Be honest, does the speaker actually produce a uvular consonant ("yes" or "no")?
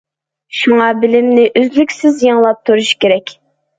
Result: no